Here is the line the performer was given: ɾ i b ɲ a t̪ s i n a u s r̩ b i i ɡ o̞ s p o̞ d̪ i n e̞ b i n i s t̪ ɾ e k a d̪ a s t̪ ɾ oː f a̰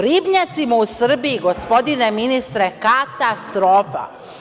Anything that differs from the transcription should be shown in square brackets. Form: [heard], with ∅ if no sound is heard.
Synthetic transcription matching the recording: ɾ i b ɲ a t̪ s i [m] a u s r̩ b i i ɡ o̞ s p o̞ d̪ i n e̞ [m] i n i s t̪ ɾ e k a [t̪] a s t̪ ɾ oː f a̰